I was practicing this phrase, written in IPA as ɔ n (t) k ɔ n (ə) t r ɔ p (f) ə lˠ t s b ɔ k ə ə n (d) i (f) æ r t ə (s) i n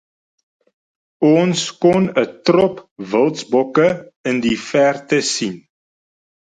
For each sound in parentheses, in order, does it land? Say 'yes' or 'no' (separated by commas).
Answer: no, yes, no, yes, yes, yes